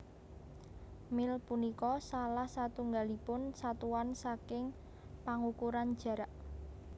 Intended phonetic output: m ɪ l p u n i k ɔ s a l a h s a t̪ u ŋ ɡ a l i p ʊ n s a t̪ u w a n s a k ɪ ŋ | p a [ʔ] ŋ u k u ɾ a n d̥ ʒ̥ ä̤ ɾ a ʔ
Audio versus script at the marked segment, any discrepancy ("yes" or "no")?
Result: yes